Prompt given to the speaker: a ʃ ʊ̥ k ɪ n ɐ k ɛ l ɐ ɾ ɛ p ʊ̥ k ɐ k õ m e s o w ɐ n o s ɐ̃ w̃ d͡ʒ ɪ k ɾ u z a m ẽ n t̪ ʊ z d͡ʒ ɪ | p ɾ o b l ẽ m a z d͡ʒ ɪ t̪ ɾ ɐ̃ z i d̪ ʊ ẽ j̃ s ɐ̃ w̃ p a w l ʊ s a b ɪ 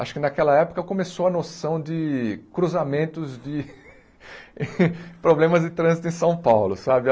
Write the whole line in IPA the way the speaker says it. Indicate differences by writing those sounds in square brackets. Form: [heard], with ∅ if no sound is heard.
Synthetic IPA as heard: a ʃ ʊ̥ k ɪ n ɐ k ɛ l ɐ [∅] ɛ p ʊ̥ k ɐ k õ m e s o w ɐ n o s ɐ̃ w̃ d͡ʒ ɪ k ɾ u z a m ẽ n t̪ ʊ z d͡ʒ ɪ | p ɾ o b l ẽ m [ɐ] z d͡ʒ ɪ t̪ ɾ ɐ̃ z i [t̪] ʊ ẽ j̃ s ɐ̃ w̃ p a w l ʊ s a b ɪ